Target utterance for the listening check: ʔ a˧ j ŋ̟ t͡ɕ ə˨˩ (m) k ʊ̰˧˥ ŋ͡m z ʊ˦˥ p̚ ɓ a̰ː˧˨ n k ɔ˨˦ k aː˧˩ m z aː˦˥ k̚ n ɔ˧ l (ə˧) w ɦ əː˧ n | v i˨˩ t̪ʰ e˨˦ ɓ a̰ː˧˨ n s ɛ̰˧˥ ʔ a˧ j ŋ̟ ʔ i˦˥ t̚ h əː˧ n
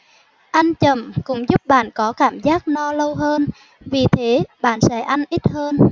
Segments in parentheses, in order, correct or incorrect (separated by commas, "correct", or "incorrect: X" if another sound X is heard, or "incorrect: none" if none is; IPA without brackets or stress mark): correct, correct